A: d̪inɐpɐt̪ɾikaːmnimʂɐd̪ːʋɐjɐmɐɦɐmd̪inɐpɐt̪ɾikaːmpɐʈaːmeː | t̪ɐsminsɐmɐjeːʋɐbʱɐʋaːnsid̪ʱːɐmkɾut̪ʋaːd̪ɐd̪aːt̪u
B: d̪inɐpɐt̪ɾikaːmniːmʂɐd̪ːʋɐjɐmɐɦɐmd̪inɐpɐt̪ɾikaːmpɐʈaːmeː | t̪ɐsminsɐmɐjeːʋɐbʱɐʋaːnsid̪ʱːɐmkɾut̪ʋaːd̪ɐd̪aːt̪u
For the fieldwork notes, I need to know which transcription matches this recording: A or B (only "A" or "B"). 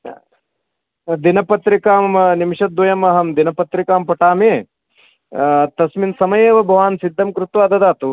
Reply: A